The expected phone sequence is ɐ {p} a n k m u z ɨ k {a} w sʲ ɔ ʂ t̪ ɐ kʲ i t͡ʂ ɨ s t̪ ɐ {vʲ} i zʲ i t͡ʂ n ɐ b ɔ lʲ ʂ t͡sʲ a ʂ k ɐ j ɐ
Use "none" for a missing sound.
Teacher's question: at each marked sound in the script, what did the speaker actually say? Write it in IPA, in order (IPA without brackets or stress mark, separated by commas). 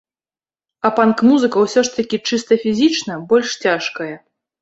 p, ɐ, fʲ